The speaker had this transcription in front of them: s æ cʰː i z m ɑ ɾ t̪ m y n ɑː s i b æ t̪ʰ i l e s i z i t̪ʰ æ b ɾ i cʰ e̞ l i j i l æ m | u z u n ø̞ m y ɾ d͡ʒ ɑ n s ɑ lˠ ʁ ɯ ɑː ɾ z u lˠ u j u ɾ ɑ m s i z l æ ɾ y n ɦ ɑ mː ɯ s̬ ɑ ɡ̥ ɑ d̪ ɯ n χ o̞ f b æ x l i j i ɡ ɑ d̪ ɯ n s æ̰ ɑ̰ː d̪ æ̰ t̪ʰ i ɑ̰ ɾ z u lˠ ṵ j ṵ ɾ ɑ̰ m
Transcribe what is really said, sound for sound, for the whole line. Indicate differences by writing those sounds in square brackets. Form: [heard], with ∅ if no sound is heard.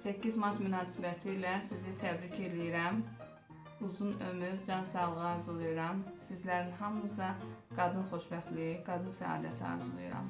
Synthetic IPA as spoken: s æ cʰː i z m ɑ ɾ t̪ m y n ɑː s i b æ t̪ʰ i l [æ] s i z i t̪ʰ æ b ɾ i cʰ e̞ l i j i [ɾ] æ m | u z u n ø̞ m y ɾ d͡ʒ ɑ n s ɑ lˠ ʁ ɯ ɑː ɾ z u lˠ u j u ɾ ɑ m s i z l æ ɾ [i] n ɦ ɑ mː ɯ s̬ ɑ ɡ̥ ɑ d̪ ɯ n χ o̞ [ʃ] b æ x l i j i ɡ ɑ d̪ ɯ n s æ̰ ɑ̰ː d̪ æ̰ t̪ʰ i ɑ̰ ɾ z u lˠ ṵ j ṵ ɾ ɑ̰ m